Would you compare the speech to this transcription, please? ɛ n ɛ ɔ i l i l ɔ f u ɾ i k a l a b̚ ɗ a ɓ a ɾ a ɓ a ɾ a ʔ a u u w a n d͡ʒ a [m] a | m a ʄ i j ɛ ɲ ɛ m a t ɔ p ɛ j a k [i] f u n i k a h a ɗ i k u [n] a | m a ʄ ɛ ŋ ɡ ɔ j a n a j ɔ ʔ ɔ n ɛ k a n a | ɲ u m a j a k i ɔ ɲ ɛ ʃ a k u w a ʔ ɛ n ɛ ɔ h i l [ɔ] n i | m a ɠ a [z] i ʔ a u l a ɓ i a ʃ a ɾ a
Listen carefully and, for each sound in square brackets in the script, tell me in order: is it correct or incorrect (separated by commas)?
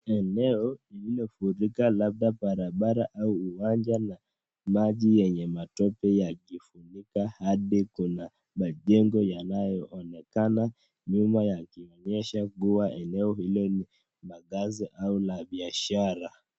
incorrect, correct, correct, correct, correct